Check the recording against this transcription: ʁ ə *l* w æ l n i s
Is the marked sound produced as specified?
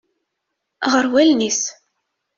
no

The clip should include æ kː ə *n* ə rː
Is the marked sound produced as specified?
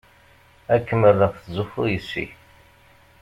no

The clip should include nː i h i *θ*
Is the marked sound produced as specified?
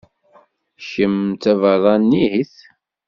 yes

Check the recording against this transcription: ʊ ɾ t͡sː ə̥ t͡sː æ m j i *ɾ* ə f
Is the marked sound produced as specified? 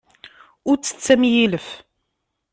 no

